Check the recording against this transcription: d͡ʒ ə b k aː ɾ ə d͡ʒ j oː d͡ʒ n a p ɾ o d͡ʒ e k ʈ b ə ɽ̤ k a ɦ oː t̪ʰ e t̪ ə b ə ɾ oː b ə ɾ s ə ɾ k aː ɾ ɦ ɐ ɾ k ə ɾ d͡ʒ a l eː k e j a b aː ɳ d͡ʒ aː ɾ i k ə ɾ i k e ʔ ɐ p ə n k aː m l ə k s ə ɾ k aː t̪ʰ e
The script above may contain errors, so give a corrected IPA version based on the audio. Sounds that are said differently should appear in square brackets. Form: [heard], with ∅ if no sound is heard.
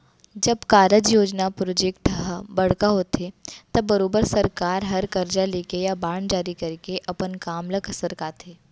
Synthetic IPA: d͡ʒ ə b k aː ɾ ə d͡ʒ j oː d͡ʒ n a p ɾ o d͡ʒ e k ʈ b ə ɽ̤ k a ɦ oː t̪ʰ e t̪ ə b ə ɾ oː b ə ɾ s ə ɾ k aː ɾ ɦ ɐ ɾ k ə ɾ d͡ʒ a l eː k e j a b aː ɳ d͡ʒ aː ɾ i k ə ɾ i k e ʔ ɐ p ə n k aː m l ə k s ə ɾ k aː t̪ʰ e